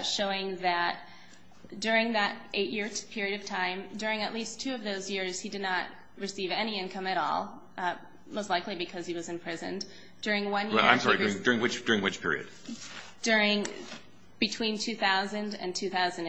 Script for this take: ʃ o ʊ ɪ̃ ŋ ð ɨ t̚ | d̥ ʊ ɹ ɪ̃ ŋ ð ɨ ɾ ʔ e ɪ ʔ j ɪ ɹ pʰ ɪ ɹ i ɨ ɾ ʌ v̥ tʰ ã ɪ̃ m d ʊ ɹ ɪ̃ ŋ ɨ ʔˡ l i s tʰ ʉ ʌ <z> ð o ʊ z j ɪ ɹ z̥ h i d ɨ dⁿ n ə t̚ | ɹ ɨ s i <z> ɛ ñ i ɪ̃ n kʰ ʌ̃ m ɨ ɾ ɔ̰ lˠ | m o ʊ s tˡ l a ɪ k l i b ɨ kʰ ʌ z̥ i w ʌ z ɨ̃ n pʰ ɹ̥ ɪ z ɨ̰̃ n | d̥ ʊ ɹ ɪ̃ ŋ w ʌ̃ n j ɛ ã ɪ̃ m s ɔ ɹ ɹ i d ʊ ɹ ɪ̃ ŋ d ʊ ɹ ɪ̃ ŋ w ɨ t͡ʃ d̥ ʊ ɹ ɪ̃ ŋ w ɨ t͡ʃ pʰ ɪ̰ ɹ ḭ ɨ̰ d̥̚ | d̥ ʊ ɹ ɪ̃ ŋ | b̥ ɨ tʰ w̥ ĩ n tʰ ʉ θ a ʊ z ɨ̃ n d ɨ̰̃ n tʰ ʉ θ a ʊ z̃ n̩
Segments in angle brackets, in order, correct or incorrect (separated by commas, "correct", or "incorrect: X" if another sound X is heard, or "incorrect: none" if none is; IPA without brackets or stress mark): incorrect: v, incorrect: v